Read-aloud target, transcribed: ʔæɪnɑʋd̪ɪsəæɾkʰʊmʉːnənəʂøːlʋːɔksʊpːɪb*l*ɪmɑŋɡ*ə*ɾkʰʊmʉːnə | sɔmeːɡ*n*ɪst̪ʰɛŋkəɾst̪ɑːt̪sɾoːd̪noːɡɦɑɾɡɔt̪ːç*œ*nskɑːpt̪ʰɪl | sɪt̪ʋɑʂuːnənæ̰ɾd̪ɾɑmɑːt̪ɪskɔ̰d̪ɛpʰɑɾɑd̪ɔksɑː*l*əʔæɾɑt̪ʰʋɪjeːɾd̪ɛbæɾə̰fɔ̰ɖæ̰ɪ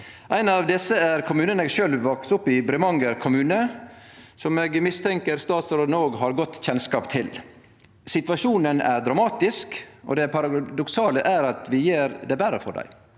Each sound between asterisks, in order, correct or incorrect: incorrect: ɾ, correct, incorrect: m, incorrect: ɛ, correct

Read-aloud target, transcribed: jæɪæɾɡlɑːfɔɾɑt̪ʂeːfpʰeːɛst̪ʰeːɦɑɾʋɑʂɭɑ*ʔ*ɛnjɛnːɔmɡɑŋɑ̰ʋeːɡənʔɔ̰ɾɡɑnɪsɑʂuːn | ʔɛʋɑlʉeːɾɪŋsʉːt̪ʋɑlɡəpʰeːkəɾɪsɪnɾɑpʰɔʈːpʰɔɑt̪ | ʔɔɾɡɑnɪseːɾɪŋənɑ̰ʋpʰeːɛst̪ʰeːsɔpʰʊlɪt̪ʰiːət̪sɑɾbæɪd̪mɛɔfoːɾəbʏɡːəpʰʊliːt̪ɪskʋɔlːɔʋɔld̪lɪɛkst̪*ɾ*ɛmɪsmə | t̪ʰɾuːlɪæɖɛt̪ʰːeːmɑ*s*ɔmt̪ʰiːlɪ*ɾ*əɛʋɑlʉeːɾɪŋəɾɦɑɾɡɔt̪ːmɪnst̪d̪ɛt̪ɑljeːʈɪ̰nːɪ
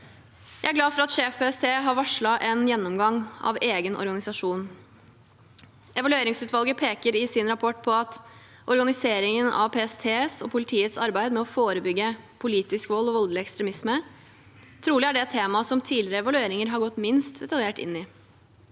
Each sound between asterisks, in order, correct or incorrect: correct, correct, correct, correct

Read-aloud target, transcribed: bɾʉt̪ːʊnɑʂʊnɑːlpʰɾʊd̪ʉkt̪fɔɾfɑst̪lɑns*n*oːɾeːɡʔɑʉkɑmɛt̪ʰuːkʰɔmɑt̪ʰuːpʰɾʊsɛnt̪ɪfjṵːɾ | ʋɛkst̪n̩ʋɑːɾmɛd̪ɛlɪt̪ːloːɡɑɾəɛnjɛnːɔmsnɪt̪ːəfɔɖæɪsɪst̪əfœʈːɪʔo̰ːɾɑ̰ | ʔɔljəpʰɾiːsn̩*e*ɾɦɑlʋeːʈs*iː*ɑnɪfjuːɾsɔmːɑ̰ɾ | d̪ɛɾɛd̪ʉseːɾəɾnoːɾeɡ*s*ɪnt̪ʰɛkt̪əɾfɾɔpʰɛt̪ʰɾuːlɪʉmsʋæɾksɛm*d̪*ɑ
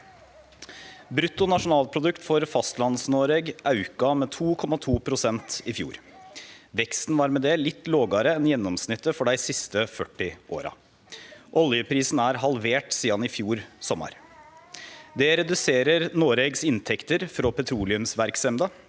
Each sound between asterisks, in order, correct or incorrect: correct, incorrect: æ, correct, correct, correct

